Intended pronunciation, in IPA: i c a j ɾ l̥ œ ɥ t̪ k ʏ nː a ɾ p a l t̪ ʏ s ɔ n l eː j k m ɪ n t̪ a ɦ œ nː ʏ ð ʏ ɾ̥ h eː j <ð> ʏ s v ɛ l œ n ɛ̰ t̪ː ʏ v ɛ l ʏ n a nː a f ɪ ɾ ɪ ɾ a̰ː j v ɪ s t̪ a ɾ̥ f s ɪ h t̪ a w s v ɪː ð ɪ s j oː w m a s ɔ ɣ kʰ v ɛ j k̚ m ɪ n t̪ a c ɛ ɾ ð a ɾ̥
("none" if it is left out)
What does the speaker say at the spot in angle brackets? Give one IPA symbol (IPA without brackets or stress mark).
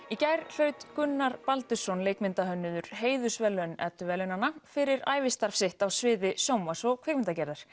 ð